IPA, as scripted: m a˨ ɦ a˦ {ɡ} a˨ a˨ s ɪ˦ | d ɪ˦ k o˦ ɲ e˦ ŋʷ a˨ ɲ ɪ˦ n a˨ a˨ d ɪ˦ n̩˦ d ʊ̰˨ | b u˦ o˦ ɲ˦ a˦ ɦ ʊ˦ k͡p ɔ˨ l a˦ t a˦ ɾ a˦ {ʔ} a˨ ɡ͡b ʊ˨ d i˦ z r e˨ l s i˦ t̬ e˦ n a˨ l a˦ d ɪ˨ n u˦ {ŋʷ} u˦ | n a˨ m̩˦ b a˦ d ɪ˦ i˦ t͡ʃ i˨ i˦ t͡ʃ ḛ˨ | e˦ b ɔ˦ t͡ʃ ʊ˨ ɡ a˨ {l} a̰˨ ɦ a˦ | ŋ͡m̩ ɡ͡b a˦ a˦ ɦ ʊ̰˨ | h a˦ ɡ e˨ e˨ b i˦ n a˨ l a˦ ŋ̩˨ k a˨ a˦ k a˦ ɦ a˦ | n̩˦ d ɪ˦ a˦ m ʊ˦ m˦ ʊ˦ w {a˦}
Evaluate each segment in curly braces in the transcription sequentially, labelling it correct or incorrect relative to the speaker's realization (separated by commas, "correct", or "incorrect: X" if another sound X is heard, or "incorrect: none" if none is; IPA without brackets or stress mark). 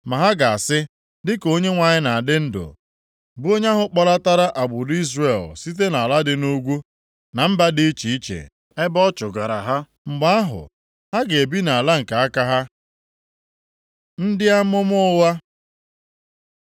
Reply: correct, correct, incorrect: ɡʷ, incorrect: ɾ, correct